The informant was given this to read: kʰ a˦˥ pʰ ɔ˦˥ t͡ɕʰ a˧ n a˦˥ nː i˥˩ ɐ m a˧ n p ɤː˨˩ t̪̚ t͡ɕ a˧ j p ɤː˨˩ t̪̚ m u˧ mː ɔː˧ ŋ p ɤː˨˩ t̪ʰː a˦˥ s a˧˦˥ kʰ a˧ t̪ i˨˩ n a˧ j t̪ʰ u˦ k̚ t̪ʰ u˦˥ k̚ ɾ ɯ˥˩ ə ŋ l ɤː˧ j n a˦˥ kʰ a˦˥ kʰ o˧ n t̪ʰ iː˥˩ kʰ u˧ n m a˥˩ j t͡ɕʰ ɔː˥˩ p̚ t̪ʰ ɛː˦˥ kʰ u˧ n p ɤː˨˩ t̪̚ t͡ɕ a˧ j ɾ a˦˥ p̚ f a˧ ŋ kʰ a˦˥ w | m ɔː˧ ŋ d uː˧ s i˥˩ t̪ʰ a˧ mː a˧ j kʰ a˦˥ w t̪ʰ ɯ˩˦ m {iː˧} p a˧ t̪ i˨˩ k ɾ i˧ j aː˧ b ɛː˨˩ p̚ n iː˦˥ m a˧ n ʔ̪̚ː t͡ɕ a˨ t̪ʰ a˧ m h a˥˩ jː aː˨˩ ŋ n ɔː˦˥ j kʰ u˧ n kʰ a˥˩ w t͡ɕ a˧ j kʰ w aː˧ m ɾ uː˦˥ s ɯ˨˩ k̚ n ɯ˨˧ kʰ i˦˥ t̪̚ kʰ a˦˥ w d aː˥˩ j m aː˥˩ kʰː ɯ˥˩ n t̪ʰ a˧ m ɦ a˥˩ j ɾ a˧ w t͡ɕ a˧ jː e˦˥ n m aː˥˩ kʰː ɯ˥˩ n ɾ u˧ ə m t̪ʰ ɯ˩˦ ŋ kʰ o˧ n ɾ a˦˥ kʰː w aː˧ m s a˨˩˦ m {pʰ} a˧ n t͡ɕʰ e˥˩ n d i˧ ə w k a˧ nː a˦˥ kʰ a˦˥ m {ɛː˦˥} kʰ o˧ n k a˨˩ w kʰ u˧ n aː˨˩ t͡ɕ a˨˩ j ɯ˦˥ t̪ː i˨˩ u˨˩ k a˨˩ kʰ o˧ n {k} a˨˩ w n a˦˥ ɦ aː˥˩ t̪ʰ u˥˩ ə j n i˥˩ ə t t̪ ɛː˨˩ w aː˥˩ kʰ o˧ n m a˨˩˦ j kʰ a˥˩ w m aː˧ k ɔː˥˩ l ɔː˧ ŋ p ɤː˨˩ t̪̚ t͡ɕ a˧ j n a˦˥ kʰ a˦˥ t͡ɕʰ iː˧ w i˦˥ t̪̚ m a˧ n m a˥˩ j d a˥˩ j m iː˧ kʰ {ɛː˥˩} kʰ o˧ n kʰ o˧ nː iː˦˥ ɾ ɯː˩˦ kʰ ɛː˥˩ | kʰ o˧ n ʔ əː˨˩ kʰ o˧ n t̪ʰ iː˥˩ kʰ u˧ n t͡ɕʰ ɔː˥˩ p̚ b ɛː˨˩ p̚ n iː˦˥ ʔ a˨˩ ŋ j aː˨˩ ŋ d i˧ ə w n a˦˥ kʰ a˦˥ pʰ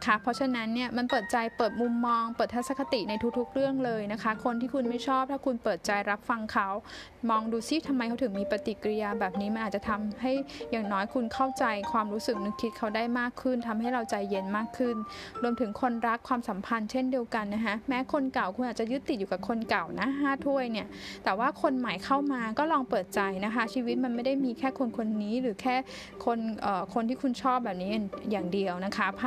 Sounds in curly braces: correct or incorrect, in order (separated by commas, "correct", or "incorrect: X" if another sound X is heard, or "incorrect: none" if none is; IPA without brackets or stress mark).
correct, correct, correct, correct, correct